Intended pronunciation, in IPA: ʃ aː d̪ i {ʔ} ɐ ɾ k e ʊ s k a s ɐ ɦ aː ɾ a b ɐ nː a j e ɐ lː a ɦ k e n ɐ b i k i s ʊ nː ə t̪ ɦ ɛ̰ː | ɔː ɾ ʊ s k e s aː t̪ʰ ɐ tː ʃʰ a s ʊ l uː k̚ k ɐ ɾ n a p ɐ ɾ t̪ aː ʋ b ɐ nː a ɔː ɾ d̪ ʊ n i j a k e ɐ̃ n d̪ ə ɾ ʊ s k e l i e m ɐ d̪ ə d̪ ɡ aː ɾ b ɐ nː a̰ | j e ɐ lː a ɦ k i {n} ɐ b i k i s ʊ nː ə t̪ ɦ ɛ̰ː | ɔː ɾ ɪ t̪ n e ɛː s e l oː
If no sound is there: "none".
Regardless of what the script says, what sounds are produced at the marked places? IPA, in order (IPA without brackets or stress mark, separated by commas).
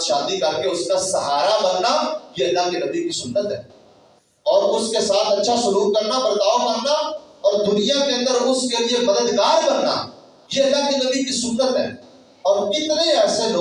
k, n